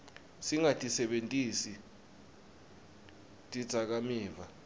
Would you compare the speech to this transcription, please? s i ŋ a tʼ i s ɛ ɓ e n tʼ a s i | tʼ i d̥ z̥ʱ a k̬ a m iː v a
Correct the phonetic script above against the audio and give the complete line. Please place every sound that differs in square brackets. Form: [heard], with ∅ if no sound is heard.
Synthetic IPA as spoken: s i ŋ a tʼ i s ɛ ɓ e n tʼ [i] s i | tʼ i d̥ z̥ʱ a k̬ a m iː v a